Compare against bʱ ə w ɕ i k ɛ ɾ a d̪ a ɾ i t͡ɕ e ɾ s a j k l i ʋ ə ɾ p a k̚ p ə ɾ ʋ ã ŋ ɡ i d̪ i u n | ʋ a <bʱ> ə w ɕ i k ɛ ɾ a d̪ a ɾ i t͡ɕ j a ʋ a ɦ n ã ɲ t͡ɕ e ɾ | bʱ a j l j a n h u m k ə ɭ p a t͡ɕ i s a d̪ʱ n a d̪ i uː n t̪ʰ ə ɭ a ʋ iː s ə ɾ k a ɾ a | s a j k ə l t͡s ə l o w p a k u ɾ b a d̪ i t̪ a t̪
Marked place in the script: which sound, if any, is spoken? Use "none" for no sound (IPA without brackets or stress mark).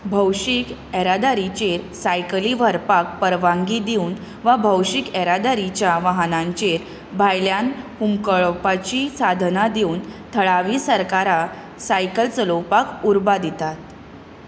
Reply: bʱ